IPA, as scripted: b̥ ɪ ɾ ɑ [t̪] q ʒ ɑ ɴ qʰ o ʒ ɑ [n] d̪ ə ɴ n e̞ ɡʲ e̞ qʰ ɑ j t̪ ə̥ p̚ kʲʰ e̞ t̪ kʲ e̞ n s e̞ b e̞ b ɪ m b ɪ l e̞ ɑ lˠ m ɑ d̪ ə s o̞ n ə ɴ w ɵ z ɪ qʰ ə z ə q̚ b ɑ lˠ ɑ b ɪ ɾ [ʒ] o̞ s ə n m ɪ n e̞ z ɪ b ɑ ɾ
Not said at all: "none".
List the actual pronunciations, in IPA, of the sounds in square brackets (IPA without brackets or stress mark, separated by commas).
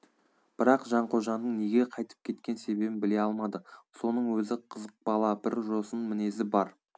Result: none, n, ʒ